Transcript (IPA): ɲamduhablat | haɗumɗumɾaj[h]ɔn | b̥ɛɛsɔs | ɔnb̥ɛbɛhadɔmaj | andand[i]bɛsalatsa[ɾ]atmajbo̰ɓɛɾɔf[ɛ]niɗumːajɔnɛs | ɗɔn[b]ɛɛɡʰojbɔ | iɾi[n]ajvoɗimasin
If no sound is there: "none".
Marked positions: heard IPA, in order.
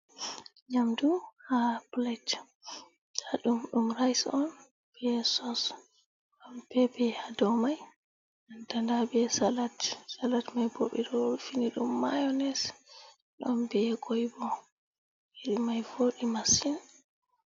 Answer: s, a, l, i, b, m

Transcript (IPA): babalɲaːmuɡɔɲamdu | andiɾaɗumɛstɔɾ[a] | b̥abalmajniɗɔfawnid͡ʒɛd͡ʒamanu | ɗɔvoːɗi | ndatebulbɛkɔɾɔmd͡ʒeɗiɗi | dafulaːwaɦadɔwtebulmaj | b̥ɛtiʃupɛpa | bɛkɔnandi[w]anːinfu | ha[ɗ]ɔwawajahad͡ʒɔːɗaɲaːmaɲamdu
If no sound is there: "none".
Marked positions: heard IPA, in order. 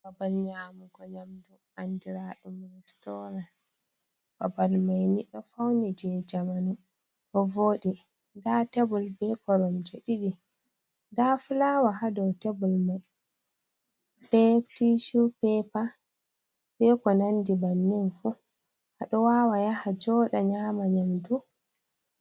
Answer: a, b, ɗ

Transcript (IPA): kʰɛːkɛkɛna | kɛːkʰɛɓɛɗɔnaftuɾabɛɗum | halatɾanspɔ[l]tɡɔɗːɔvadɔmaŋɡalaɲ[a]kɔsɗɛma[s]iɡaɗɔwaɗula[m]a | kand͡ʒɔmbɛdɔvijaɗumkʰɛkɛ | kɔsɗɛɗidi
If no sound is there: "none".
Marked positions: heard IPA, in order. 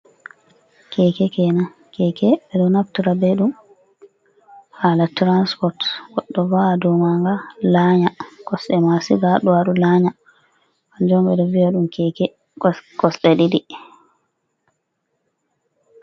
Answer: ɾ, a, s, ɲ

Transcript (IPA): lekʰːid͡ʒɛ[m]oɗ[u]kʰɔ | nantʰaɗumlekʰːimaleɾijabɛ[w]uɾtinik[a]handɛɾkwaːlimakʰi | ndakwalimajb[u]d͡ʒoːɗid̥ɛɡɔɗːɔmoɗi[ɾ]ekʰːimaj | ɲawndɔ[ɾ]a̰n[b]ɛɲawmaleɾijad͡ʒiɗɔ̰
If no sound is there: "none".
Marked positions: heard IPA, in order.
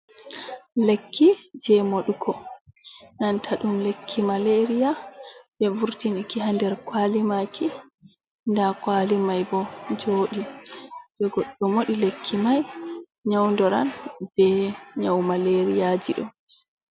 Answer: m, u, v, i, ɔ, l, ɾ, b

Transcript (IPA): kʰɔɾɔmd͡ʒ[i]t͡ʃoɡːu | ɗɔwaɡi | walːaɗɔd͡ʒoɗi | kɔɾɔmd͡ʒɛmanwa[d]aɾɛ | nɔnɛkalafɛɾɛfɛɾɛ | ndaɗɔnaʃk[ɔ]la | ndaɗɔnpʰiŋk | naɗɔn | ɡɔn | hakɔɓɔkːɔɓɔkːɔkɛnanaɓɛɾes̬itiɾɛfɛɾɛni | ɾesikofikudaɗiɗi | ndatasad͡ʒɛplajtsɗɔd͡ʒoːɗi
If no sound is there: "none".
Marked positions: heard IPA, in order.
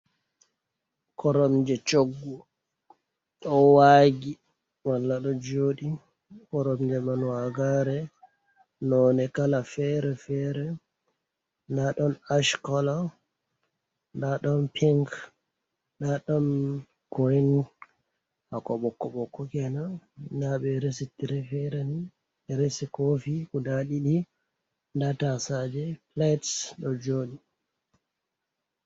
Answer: ɛ, ɡ, ɔ

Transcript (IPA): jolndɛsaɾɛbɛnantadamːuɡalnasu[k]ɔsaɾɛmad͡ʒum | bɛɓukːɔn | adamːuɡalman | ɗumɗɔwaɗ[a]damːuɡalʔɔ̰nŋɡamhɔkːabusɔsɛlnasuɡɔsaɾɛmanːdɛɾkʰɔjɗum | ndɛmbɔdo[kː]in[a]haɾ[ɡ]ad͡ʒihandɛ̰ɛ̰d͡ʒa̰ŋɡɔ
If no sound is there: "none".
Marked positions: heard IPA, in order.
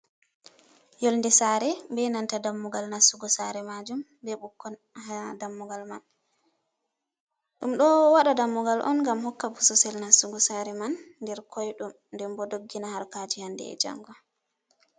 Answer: ɡ, a, ɡː, a, k

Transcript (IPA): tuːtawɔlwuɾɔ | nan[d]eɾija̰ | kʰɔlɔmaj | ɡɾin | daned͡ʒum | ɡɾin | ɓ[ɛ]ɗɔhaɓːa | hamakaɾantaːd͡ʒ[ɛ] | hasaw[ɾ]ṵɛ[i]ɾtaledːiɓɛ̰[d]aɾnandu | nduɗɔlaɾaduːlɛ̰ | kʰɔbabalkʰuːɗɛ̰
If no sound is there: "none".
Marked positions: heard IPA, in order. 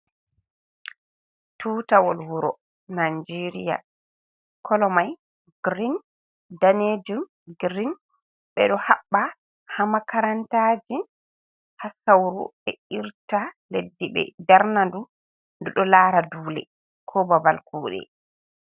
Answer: d͡ʒ, ɛ, i, ɾ, i, d

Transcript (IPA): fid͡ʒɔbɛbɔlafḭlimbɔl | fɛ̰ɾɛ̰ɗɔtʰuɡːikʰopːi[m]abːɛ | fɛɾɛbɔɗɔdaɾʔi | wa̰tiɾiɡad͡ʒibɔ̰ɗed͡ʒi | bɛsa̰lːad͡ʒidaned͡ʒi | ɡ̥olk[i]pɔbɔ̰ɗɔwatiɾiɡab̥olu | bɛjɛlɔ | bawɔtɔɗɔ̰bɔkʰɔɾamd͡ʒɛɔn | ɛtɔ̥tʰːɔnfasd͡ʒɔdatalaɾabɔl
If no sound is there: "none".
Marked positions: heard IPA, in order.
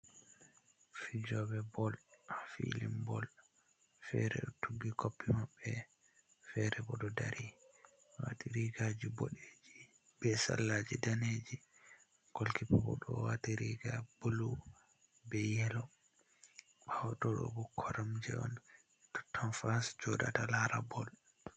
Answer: m, i

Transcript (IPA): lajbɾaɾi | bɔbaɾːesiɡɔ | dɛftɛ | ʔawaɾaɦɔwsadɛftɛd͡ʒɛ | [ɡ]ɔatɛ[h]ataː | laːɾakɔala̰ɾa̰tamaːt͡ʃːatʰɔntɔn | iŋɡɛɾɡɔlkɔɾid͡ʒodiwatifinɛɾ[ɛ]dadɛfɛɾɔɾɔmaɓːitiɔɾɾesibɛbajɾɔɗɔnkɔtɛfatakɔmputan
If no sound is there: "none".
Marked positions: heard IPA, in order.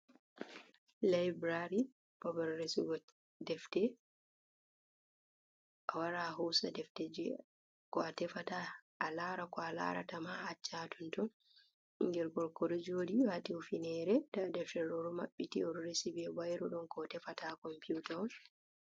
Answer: k, f, ɛ

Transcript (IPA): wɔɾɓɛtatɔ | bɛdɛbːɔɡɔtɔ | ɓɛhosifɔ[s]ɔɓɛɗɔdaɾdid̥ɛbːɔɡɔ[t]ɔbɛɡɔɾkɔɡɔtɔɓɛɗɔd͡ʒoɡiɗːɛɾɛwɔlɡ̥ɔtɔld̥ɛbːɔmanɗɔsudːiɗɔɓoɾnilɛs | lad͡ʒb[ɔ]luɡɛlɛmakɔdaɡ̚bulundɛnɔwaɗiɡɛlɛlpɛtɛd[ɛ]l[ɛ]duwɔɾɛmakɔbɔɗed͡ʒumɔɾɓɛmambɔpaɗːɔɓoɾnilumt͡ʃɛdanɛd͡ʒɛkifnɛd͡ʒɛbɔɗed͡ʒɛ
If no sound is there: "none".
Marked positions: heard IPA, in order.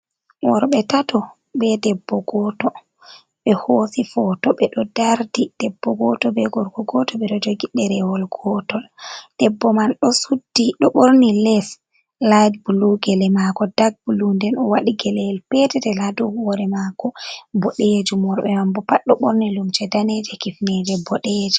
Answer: t, t, u, ɛ, a

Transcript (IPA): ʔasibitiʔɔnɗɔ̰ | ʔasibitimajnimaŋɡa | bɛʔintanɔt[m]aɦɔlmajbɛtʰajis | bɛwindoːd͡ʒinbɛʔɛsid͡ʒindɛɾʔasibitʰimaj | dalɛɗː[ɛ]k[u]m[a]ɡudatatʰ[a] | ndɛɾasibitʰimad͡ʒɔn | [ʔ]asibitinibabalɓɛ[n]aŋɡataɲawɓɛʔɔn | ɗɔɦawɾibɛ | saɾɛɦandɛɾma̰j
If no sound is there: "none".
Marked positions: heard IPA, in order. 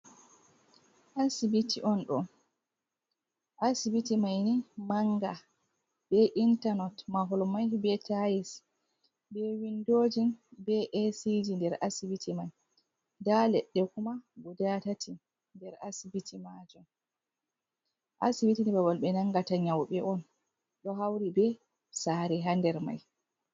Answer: m, ɛ, u, a, i, ʔ, n

